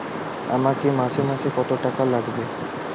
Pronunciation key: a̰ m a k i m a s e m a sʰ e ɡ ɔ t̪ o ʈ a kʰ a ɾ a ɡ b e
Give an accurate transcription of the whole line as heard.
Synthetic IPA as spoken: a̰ m a k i m a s e m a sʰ e k ɔ t̪ o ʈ a k a l a ɡ b e

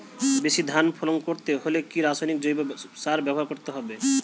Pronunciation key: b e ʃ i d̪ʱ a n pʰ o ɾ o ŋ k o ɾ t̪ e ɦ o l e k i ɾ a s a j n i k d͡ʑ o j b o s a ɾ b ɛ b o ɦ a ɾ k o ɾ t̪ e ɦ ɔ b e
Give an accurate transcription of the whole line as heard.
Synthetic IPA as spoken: b e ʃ i d̪ʱ a n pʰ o l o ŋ k o ɾ t̪ e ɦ o l e k i ɾ a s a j n i k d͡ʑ o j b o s a ɾ b ɛ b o ɦ a ɾ k o ɾ t̪ e ɦ ɔ b e

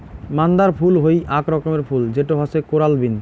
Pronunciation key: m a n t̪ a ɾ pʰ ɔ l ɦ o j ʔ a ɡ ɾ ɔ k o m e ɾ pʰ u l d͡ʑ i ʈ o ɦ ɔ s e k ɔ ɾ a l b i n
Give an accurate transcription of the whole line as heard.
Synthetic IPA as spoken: m a n d̪ a ɾ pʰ u l ɦ o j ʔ a k ɾ ɔ k o m e ɾ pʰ u l d͡ʑ e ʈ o ɦ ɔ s e k o ɾ a l b i n

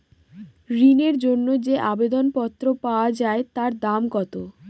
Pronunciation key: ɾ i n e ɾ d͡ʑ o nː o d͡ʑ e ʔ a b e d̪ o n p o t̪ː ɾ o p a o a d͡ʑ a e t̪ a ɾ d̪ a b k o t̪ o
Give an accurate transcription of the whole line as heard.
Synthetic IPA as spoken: ɾ i n e ɾ d͡ʑ o nː o d͡ʑ e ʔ a b e d̪ o n p ɔ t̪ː ɾ o p a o a d͡ʑ a e t̪ a ɾ d̪ a m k ɔ t̪ o

